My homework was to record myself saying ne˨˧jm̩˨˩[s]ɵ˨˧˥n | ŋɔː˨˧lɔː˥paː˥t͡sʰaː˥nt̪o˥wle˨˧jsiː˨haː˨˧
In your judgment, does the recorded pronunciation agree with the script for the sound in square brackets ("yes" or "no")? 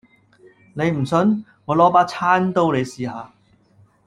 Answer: yes